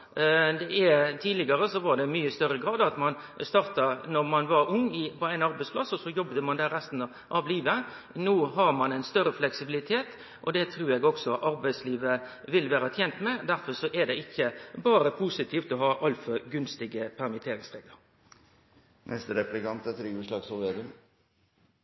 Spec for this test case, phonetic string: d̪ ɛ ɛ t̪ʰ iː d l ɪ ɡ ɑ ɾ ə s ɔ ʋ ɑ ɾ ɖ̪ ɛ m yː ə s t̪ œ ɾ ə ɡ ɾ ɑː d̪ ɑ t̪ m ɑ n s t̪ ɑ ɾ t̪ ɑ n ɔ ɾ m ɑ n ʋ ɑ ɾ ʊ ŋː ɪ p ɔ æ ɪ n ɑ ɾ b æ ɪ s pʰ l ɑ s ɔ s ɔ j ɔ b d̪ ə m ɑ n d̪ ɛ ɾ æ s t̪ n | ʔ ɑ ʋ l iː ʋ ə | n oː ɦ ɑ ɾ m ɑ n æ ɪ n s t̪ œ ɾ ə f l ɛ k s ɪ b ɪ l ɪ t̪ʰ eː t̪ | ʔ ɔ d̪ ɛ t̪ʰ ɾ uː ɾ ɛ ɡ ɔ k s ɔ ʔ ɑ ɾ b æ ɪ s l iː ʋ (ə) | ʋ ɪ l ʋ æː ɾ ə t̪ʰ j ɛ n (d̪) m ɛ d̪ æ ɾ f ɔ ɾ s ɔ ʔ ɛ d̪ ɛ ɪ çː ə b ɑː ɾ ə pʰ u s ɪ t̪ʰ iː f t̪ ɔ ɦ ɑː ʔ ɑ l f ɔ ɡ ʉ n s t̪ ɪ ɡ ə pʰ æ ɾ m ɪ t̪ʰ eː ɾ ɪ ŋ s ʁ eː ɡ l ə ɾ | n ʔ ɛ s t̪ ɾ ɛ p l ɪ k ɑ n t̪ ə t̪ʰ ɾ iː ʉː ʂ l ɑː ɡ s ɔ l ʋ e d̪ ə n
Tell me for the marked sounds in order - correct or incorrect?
correct, incorrect: t̪

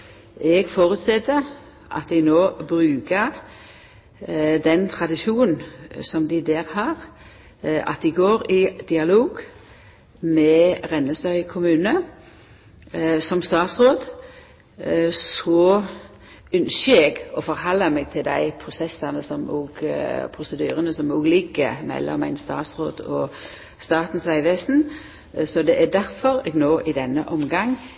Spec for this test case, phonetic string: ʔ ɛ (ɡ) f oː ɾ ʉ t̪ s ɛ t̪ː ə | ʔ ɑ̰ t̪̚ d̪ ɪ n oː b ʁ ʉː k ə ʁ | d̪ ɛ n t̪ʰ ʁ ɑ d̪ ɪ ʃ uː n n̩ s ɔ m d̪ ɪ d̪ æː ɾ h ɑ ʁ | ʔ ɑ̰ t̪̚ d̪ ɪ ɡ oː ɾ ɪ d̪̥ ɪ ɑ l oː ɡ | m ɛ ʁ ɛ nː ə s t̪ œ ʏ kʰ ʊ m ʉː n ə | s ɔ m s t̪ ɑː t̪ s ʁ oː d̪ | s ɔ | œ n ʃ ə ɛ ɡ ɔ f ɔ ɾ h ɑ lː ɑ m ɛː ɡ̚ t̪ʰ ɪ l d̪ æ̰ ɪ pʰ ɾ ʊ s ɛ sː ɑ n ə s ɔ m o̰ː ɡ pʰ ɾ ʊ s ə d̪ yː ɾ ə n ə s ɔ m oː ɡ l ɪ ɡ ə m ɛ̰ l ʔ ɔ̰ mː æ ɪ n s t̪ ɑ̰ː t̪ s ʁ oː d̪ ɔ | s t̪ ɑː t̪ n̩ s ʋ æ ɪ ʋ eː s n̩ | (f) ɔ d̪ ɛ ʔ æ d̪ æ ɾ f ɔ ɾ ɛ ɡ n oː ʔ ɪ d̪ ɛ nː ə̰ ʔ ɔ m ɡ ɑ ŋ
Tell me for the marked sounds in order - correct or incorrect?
correct, incorrect: s

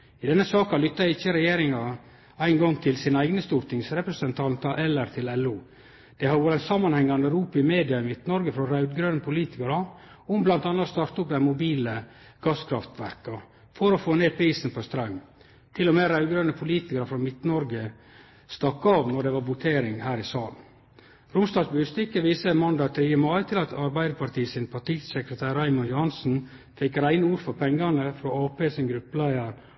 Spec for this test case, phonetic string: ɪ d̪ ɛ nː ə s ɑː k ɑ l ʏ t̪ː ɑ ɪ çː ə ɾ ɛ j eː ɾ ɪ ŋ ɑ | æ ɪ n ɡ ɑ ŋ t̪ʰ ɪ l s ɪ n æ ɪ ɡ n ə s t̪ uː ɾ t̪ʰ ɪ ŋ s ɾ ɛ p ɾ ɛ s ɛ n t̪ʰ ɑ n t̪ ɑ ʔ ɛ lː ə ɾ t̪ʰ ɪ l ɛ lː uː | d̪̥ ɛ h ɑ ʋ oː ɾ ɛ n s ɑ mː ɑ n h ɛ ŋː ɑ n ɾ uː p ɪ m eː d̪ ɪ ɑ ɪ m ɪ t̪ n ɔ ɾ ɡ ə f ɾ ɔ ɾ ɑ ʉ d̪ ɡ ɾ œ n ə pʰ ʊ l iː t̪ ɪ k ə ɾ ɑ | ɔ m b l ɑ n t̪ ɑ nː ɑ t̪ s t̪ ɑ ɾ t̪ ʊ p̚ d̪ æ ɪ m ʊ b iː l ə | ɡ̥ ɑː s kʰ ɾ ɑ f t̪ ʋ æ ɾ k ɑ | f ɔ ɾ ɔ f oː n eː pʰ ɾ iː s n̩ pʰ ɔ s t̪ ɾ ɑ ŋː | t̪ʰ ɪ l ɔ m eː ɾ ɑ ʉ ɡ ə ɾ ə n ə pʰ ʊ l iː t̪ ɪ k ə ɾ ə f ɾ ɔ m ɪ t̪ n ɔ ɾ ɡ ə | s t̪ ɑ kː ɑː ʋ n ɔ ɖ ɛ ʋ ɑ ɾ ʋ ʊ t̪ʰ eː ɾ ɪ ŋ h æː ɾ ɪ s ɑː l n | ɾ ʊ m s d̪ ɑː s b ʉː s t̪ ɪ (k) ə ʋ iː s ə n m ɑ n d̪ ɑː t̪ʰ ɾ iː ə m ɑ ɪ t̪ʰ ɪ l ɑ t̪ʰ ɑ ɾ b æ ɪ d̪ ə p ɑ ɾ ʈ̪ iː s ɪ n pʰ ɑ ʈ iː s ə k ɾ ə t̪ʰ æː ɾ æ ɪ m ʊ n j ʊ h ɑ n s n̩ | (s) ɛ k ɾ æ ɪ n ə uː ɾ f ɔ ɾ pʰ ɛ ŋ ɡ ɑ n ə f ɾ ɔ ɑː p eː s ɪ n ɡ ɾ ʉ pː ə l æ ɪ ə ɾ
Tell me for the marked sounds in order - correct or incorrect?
correct, incorrect: f

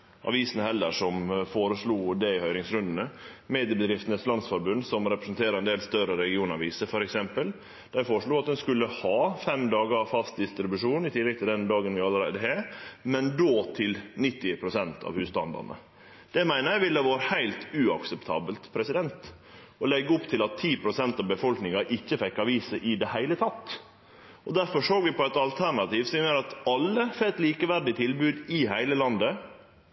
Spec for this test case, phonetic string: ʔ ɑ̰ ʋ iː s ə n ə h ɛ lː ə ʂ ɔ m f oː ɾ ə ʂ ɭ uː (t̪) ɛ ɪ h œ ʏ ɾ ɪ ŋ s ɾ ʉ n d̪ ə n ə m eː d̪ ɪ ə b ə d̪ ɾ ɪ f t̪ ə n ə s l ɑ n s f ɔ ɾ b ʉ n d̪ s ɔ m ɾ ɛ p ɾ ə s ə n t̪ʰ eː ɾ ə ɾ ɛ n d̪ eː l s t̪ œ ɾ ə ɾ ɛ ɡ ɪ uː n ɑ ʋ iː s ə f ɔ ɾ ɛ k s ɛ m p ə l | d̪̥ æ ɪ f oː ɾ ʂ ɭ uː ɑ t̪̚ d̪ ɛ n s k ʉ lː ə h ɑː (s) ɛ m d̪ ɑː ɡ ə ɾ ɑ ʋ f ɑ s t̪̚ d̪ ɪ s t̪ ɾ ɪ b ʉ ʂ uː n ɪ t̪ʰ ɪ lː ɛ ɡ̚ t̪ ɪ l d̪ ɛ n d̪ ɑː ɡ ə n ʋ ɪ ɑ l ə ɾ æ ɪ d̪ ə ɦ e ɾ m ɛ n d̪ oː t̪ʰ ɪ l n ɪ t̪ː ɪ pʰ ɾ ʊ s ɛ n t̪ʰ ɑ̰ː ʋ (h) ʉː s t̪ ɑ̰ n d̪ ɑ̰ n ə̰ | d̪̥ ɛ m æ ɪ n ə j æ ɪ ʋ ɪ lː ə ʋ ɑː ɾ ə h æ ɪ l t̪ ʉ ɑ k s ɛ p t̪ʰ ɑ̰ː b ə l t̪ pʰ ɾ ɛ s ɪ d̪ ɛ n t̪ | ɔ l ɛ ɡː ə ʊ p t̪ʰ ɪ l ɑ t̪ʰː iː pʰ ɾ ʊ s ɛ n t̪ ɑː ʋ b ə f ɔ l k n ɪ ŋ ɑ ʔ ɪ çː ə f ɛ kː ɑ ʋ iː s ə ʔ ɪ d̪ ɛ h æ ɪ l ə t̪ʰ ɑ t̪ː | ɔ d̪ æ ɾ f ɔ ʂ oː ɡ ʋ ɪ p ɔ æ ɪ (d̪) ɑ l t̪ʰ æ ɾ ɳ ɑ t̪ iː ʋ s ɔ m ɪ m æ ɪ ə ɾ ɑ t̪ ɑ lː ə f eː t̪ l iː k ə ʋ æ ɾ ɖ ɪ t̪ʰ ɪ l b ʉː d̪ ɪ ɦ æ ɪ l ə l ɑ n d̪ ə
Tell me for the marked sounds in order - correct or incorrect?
incorrect: d̪, incorrect: f, correct, incorrect: t̪

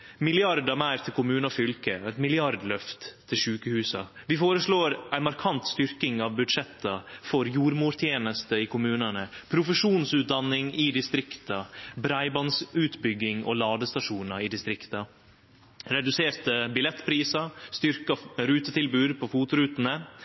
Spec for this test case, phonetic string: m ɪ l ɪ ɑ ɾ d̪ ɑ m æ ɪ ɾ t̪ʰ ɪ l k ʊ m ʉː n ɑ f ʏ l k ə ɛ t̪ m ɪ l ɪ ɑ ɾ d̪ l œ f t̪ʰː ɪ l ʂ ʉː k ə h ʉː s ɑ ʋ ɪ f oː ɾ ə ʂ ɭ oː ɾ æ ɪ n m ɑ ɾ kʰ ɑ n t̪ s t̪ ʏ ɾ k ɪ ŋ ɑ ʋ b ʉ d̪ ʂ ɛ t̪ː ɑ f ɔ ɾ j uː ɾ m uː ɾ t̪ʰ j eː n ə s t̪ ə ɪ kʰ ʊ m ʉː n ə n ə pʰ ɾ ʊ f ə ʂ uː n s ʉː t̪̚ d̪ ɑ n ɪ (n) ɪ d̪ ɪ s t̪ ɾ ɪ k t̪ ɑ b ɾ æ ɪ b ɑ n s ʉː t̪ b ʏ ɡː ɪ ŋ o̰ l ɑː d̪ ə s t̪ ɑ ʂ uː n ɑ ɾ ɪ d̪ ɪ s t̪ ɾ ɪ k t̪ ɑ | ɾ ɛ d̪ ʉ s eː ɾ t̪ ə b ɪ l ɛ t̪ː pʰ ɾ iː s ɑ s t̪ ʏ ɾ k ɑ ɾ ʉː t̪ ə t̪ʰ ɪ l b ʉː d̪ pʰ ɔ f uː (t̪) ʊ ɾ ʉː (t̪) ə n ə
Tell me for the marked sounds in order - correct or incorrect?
incorrect: ŋ, correct, correct

